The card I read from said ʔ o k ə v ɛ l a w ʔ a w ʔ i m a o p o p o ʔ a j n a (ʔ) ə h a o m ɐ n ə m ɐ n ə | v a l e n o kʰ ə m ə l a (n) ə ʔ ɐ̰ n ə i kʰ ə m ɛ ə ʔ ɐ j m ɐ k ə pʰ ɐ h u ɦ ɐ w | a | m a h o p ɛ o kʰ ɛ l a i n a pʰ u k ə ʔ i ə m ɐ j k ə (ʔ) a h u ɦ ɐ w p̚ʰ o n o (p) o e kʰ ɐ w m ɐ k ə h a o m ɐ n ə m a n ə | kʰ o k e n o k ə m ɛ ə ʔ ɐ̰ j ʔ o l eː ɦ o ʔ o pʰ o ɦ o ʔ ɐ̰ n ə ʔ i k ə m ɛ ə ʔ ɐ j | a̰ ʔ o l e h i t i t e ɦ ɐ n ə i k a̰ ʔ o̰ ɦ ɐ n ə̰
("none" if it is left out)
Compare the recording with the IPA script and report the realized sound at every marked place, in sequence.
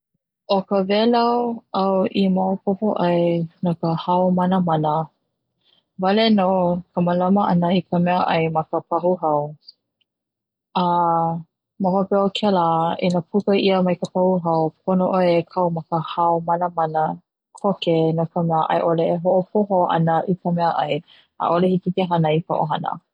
k, m, p, ʔ

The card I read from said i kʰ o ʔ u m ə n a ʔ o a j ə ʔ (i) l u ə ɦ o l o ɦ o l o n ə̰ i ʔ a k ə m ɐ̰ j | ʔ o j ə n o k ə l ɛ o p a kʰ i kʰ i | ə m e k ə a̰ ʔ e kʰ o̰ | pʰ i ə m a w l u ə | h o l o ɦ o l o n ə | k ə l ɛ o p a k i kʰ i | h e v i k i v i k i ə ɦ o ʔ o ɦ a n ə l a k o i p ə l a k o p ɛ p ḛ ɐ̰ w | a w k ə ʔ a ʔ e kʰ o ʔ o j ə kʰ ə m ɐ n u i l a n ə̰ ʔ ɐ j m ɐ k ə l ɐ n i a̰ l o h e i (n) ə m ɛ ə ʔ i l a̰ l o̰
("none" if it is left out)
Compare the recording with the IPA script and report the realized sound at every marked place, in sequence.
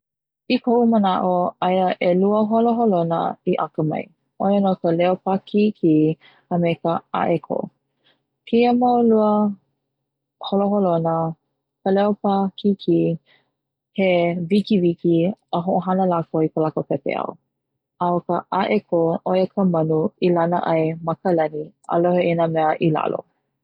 e, n

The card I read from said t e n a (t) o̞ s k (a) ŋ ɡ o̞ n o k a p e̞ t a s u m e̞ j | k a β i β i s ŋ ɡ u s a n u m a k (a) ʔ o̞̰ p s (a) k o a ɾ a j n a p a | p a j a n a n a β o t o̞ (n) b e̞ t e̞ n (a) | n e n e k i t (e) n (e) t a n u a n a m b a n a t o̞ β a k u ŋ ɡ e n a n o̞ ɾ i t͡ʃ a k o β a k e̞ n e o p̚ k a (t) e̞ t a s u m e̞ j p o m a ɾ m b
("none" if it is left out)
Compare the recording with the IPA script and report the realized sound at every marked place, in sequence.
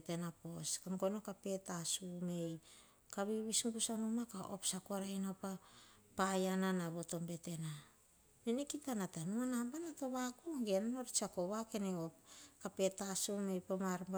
p, a, a, a, m, a, a, a, p

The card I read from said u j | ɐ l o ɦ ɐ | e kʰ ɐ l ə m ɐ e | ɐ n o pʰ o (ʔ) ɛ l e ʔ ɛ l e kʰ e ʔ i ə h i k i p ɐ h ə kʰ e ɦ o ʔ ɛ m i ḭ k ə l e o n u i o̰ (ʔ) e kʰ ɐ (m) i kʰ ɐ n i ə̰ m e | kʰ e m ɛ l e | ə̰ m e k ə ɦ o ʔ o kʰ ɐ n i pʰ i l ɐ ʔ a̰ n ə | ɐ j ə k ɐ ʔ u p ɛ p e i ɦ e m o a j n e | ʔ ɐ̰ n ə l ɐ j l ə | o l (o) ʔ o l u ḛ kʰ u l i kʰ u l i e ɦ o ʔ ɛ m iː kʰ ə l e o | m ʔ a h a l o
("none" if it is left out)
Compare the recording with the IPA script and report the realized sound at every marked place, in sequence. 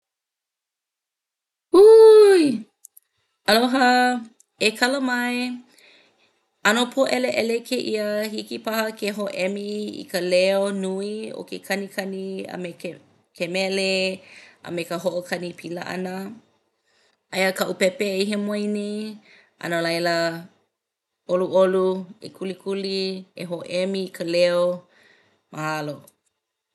ʔ, k, n, u

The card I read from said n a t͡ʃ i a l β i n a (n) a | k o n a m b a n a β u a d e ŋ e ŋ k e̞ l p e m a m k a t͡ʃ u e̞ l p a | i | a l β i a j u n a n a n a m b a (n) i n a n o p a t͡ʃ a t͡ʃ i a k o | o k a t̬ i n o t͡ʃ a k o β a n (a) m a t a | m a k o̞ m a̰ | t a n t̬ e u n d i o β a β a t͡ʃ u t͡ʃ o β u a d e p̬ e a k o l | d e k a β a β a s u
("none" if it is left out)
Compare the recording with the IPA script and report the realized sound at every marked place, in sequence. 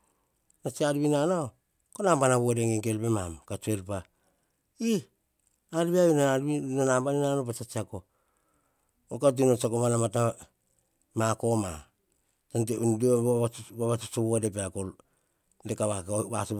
n, n, a

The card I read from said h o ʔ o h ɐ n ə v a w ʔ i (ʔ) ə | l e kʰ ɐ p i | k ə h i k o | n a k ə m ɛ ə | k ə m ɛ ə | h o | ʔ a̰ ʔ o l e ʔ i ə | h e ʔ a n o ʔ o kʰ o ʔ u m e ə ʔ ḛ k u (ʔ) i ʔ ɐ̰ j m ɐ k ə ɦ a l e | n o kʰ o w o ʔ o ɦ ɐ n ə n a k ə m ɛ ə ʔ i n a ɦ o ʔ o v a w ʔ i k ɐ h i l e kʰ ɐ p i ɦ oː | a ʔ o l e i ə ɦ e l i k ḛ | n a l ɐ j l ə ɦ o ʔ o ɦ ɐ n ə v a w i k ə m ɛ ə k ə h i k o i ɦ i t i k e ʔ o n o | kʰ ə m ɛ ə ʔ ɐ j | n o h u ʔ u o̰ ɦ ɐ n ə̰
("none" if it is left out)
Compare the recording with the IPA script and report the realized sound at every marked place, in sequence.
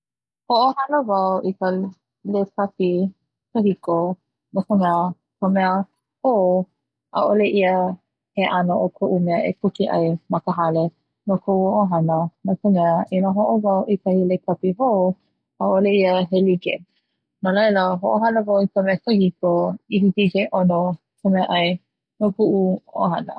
k, k

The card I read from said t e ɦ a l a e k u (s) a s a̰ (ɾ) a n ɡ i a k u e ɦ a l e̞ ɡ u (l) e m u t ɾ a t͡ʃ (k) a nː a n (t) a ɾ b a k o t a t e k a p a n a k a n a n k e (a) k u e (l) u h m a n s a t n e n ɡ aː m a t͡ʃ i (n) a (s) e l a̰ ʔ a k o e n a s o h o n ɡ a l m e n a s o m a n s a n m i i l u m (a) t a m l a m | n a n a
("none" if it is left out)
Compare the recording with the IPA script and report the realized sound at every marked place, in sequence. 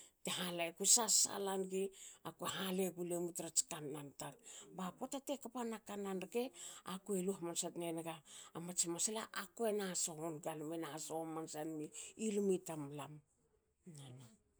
s, l, l, k, t, a, l, m, s, i

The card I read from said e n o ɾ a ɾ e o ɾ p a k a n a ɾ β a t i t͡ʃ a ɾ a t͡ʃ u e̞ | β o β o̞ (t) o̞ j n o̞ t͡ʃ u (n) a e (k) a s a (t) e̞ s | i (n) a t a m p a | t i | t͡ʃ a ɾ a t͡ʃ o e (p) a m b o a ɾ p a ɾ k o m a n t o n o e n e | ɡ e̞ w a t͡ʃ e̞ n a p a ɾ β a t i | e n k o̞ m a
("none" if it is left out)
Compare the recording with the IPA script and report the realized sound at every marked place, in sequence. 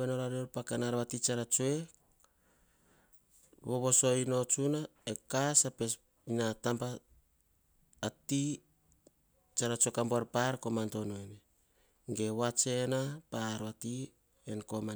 s, n, k, p, n, k

